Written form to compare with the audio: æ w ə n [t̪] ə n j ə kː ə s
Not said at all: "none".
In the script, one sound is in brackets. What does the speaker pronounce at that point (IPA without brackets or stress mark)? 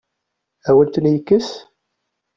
t̪